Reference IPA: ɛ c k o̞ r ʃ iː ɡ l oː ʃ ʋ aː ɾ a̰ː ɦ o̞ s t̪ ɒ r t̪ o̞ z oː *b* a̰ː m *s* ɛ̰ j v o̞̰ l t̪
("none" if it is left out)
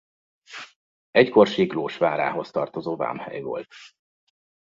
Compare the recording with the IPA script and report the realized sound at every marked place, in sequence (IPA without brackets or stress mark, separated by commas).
v, h